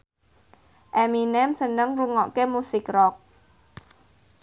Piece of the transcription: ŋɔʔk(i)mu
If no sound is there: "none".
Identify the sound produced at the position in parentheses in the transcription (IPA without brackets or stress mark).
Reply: e